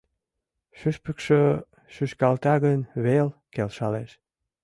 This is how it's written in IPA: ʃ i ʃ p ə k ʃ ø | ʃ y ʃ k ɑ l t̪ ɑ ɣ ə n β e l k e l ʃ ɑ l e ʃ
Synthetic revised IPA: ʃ y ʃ p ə k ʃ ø | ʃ y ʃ k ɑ l t̪ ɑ ɣ ə n β e l k e l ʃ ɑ l e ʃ